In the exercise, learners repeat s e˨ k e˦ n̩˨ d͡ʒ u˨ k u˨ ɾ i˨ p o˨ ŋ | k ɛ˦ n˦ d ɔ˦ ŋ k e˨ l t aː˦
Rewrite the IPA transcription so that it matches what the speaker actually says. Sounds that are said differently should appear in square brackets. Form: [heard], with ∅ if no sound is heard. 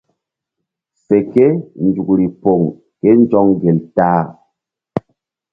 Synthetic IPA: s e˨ k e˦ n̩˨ d͡ʒ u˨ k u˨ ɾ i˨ p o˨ ŋ | k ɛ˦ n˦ [d͡ʒ] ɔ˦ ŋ [ɡ] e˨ l t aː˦